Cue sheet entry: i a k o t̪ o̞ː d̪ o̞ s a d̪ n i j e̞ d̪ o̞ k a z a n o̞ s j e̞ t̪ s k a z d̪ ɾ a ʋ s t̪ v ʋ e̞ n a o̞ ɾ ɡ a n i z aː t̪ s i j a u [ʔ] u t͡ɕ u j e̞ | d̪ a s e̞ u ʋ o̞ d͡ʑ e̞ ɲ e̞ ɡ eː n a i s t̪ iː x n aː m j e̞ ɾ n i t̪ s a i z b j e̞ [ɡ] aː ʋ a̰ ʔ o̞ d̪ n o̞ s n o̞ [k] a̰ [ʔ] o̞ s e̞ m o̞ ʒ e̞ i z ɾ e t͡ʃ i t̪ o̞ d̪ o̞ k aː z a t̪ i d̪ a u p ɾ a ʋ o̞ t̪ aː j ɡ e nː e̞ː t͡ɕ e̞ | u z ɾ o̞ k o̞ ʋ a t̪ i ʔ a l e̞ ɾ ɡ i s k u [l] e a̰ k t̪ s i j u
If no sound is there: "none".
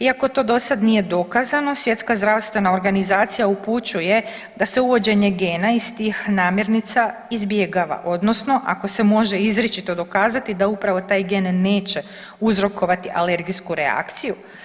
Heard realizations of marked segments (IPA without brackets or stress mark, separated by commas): p, ɡ, ʔ, k, ɾ